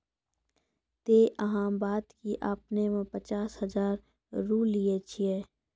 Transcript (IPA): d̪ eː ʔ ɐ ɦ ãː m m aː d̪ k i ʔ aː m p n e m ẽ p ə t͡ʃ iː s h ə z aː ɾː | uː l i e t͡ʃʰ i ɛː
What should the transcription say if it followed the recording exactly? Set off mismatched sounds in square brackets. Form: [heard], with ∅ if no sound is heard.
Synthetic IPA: [t̪] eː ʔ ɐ ɦ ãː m [b] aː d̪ k i ʔ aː [∅] p n e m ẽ p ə t͡ʃ [aː] s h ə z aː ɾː | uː l i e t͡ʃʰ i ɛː

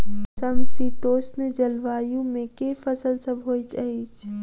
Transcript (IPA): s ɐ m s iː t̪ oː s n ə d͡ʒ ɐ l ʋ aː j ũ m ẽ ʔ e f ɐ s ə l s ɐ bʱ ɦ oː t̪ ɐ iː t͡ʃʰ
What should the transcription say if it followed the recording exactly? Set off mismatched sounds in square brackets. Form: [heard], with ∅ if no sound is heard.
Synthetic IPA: s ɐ m s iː t̪ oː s n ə d͡ʒ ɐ l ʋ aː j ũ m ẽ [k] e f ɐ s ə l s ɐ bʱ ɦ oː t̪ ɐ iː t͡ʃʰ

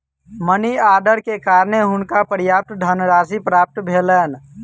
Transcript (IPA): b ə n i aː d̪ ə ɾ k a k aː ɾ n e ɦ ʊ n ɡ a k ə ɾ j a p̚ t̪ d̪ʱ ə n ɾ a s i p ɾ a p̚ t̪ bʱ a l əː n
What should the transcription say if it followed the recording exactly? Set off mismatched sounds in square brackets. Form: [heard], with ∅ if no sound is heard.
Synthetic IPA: [m] ə n i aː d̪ ə ɾ k [e] k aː ɾ n e ɦ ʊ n [k] a [p] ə ɾ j a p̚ t̪ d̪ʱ ə n ɾ a s i p ɾ a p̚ t̪ bʱ [e] l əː n

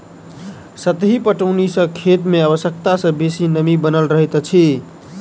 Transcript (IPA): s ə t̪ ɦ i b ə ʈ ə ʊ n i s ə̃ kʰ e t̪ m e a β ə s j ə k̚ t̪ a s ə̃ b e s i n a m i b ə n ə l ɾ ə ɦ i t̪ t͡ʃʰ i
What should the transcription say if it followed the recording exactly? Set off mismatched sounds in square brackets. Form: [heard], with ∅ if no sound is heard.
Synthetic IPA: s ə t̪ ɦ i [p] ə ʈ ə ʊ n i s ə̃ kʰ e t̪ m e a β ə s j ə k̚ t̪ a s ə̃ b e s i n [ə] m i b ə n ə l ɾ ə ɦ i t̪ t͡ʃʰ i

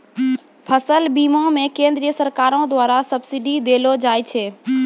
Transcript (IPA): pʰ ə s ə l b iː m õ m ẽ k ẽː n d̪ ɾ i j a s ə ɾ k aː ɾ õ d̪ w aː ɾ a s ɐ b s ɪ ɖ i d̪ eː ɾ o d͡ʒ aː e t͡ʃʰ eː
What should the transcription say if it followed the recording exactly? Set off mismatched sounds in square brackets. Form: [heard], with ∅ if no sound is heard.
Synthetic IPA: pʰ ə s ə l b iː m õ m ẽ k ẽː n d̪ ɾ i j [ə] s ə ɾ k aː ɾ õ d̪ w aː ɾ a s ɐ b s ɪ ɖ i d̪ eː [l] o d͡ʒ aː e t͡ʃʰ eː

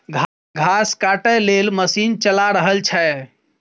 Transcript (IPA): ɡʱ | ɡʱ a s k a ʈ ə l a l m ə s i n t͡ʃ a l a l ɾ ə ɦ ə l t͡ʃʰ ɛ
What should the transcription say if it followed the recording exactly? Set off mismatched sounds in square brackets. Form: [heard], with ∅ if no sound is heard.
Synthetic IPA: ɡʱ | ɡʱ a s k a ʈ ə l [e] l m ə s i n t͡ʃ [ə] l a [∅] ɾ ə ɦ ə l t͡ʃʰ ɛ

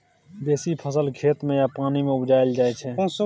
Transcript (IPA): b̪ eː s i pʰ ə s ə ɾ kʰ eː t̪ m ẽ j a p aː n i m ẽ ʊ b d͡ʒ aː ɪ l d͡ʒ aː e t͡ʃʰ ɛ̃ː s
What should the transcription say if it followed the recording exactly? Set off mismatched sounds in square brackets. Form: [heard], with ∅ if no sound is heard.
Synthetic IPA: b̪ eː s i pʰ ə s ə [l] kʰ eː t̪ m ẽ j a p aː n i m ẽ ʊ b d͡ʒ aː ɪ l d͡ʒ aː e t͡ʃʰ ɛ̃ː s

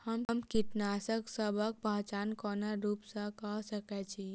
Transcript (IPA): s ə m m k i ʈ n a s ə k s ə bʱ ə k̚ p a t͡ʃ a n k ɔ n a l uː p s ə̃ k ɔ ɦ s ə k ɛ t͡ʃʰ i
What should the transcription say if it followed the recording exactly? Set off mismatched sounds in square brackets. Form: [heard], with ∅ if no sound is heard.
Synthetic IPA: [h] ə m m k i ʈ n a s ə k s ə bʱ ə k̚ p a t͡ʃ a n k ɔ n a [ɾ] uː p s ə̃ k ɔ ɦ s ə k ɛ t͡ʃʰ i

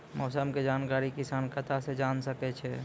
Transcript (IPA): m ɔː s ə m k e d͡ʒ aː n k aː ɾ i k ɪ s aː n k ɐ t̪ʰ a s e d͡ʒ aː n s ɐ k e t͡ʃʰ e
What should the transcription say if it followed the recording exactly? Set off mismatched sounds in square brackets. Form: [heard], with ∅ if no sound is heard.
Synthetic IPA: m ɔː s ə m k e d͡ʒ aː n k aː ɾ i k ɪ s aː n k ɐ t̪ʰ a s e d͡ʒ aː n s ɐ k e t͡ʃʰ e

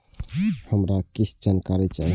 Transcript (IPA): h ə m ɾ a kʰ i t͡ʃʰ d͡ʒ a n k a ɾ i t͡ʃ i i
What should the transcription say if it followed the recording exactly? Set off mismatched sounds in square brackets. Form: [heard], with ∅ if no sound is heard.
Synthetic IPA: h ə m ɾ a [k] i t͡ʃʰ d͡ʒ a n k a ɾ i t͡ʃ [a] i

